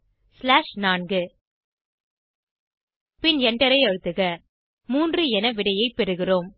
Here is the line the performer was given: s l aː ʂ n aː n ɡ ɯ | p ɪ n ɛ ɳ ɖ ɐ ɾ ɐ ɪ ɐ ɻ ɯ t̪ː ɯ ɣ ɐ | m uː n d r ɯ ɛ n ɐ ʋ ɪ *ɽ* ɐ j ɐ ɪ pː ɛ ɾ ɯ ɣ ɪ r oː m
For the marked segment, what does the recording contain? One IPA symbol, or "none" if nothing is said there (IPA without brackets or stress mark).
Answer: ɽ